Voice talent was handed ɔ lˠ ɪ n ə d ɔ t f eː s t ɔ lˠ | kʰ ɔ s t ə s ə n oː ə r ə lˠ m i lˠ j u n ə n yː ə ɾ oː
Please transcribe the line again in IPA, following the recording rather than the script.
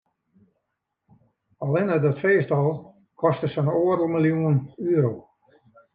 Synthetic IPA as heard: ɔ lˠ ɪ n ə d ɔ t f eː s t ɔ lˠ | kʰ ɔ s t ə s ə n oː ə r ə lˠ m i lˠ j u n ə n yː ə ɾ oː